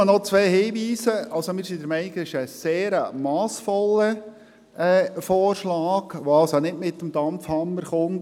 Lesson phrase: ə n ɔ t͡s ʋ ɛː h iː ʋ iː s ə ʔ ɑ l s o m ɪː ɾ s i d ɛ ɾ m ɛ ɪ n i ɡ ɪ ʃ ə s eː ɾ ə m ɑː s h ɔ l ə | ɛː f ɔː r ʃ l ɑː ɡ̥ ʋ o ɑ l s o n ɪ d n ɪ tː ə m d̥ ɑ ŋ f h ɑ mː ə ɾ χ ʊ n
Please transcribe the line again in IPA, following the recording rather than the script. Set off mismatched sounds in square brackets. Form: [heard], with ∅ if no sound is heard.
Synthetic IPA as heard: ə n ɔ t͡s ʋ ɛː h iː ʋ iː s ə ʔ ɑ l s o m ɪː ɾ s i d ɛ ɾ m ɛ ɪ n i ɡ ɪ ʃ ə s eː ɾ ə m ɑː s [f] ɔ l ə | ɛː f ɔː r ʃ l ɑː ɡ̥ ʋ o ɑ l s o n ɪ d [m] ɪ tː ə m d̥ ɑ [m] f h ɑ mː ə ɾ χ ʊ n